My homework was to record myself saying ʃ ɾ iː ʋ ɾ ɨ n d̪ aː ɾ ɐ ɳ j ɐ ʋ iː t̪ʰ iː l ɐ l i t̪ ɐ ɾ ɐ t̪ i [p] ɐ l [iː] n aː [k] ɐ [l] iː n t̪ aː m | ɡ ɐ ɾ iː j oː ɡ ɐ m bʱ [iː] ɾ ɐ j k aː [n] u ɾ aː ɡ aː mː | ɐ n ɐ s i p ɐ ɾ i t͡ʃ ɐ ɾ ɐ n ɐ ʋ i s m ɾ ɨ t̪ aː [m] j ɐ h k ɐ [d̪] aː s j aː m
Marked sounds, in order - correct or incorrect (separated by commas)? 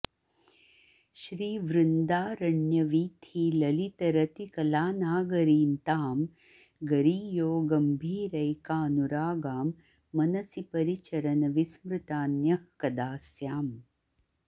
incorrect, incorrect, incorrect, incorrect, correct, correct, incorrect, correct